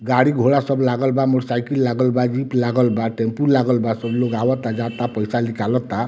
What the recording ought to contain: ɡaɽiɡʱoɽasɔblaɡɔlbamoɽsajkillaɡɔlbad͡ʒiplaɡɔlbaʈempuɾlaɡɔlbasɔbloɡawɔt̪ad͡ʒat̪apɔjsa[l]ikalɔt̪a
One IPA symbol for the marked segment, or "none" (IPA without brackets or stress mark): l